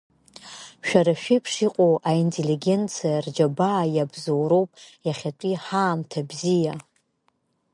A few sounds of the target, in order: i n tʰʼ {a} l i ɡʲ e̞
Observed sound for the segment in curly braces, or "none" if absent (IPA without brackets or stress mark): e